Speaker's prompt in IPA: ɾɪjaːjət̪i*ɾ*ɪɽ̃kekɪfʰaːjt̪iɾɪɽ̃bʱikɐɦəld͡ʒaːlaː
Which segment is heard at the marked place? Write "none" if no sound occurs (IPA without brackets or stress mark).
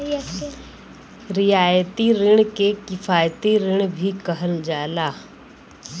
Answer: ɾ